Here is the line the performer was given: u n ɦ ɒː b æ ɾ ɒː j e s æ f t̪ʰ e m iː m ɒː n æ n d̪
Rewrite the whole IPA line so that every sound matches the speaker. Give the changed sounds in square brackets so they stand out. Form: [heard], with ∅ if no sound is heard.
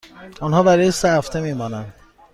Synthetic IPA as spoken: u n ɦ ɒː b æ ɾ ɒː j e s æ f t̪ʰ e m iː m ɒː n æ n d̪